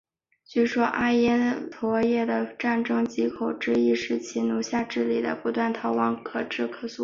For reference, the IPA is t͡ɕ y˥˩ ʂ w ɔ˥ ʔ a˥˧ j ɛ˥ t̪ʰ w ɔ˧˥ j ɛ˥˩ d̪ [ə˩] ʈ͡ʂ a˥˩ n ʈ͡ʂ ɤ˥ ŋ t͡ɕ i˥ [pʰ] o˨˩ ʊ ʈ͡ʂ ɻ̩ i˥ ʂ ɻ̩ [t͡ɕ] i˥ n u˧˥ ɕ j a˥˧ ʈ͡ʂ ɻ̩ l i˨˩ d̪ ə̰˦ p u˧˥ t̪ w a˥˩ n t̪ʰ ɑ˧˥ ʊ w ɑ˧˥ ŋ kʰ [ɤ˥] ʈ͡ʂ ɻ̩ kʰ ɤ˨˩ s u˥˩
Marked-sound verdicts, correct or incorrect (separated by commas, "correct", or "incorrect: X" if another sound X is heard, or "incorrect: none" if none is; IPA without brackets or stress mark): correct, incorrect: kʰ, incorrect: t͡ɕʰ, incorrect: ɤ˨˩